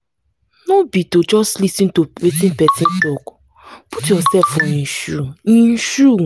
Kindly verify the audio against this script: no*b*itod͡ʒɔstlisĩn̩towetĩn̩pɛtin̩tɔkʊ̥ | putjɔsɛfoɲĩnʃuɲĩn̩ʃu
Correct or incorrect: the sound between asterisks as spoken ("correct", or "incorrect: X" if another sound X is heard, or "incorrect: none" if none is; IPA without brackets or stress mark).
correct